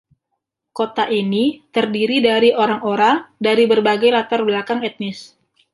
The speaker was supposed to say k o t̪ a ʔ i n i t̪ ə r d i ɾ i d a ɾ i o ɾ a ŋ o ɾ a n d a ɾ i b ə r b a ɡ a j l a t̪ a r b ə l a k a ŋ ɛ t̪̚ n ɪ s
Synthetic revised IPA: k o t̪ a ʔ i n i t̪ ə r d i ɾ i d a ɾ i o ɾ a ŋ o ɾ a ŋ d a ɾ i b ə r b a ɡ a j l a t̪ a r b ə l a k a ŋ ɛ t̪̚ n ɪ s